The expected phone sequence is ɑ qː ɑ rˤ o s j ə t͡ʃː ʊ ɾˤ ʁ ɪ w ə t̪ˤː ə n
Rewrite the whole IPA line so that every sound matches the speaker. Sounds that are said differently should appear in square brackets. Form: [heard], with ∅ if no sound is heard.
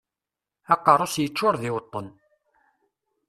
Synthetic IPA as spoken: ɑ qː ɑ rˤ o s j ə t͡ʃː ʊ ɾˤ [ð] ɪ w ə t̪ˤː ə n